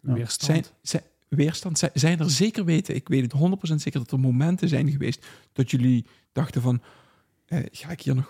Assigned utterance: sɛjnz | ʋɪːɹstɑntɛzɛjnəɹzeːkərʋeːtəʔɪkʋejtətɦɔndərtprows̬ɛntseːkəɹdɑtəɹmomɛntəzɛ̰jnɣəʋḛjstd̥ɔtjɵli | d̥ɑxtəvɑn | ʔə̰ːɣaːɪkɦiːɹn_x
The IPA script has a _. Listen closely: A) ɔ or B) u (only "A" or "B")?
A